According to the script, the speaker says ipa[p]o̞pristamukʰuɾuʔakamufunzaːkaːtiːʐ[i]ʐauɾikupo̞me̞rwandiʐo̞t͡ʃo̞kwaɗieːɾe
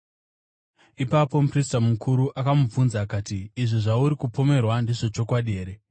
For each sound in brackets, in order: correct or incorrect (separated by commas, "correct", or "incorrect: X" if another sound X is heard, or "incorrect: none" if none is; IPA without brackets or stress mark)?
correct, correct